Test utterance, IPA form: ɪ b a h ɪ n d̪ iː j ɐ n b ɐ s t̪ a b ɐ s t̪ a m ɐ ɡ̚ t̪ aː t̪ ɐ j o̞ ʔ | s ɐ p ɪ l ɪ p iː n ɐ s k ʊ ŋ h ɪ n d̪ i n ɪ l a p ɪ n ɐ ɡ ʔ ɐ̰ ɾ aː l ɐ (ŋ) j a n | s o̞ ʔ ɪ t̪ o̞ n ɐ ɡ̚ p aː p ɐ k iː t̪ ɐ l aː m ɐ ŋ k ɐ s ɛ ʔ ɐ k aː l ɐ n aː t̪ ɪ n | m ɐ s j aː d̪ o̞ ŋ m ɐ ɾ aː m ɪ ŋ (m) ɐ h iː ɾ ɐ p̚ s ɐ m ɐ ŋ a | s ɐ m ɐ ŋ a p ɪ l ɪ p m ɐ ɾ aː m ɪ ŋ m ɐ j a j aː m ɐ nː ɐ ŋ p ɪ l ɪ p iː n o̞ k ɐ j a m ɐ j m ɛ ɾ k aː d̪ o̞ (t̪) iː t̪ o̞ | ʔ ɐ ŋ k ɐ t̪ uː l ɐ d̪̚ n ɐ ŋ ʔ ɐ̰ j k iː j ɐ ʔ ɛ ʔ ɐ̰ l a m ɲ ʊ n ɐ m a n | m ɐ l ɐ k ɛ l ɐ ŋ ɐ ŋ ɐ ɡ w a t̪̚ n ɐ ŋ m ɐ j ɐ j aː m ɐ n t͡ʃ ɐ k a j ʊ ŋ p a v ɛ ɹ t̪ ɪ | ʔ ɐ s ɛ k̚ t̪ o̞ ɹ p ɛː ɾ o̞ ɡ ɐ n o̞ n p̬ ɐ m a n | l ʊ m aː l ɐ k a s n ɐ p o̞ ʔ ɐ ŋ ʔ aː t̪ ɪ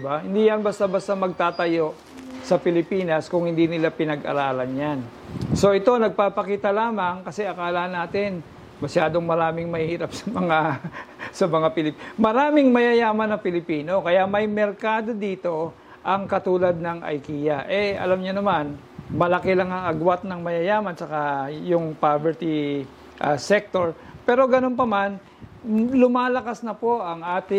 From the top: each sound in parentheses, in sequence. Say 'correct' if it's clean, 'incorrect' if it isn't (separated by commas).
incorrect, correct, incorrect